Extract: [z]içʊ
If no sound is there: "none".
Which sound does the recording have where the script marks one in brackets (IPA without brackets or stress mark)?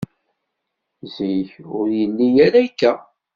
z